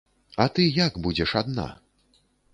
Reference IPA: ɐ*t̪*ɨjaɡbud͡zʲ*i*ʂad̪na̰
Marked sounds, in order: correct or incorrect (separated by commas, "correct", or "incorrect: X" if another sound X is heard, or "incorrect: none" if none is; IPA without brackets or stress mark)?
correct, incorrect: ɛ